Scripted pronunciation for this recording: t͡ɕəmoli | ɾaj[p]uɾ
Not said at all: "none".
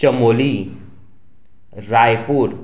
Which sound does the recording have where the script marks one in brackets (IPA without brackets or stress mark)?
p